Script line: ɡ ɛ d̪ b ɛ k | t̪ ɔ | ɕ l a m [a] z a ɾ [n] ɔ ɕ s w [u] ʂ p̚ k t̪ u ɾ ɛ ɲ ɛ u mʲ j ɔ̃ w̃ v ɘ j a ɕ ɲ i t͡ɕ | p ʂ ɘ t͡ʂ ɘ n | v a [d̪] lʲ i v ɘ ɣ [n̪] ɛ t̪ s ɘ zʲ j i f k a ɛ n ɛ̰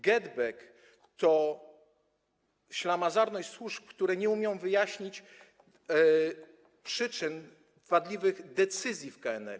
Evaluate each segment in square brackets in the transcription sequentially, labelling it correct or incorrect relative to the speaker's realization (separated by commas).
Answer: correct, correct, correct, correct, incorrect